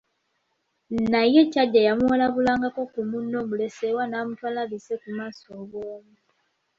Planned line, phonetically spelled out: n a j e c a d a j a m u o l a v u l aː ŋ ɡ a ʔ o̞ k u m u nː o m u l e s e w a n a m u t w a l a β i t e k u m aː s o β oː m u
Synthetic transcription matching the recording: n a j e c a ɟ a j a m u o l a β u l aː ŋ ɡ a k o̞ k u m u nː o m u l e s e w a n a m u t w a l a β i s e k u m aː s o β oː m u